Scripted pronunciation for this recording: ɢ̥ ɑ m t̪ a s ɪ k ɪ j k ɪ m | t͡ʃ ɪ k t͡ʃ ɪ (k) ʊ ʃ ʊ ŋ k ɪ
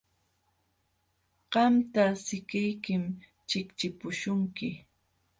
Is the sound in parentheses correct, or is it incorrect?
incorrect